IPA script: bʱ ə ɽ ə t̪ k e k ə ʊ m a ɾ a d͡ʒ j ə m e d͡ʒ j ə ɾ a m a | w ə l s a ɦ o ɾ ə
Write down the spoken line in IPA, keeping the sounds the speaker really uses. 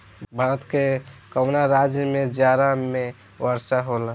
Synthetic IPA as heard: bʱ ə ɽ ə t̪ k e k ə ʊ n a ɾ a d͡ʒ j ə m e d͡ʒ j a ɾ a m e | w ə ɾ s a ɦ o l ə